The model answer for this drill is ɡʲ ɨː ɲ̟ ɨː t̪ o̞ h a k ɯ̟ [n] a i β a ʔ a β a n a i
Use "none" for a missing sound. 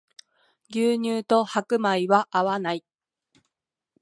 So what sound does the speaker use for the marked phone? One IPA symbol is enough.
m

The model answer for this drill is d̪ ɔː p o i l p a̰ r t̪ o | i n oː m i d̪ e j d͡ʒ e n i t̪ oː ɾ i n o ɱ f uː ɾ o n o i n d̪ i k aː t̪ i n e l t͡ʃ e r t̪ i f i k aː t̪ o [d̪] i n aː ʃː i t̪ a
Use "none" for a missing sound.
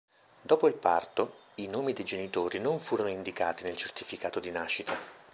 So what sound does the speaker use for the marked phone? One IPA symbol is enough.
d̪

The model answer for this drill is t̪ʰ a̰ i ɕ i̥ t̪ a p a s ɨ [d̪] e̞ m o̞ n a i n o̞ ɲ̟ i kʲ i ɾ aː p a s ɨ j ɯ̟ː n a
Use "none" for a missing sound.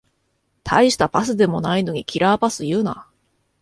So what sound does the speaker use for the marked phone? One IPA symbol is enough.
d̪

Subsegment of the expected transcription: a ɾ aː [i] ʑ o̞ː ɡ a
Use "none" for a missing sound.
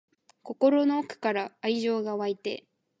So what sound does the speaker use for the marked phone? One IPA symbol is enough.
i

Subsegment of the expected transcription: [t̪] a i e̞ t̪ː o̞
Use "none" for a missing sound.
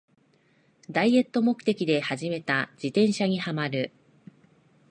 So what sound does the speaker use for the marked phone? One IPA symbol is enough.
d̪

